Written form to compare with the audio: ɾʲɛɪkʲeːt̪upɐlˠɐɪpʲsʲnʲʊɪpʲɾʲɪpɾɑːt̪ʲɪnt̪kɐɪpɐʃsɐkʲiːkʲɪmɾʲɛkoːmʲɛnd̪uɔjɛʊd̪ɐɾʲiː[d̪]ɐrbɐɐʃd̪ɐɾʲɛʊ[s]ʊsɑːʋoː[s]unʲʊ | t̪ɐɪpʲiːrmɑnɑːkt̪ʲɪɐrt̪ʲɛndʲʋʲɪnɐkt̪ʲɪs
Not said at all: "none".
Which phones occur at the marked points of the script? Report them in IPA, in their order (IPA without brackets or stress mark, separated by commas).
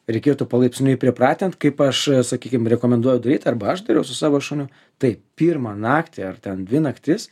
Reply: t̪, s, ʃ